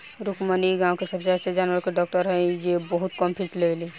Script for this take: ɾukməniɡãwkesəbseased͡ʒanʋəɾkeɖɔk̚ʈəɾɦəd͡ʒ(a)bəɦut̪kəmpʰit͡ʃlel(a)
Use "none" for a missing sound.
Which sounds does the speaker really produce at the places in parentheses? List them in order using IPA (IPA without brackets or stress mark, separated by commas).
e, i